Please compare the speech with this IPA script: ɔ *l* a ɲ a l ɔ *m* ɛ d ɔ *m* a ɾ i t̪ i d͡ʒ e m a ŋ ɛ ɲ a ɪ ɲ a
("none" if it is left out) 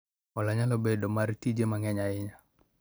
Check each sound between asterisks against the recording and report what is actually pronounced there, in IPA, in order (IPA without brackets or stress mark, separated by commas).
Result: l, b, m